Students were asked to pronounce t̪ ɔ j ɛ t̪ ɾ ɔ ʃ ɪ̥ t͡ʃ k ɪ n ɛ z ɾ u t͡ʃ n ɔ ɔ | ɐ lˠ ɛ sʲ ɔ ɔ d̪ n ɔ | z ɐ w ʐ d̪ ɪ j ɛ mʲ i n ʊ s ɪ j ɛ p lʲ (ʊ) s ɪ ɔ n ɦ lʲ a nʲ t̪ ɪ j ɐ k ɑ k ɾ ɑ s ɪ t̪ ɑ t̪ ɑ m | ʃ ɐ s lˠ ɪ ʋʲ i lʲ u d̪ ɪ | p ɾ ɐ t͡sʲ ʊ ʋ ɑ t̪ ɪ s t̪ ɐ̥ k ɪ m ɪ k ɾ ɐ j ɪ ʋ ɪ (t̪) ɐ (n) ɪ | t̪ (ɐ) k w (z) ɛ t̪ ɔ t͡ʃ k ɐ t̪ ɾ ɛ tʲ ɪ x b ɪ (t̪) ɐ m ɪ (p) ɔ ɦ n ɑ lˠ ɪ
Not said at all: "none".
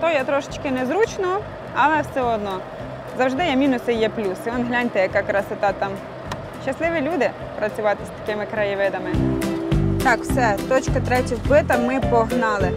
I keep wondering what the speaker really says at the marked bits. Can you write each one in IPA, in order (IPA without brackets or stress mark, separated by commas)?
u, d̪, m, ɑ, s, t̪, p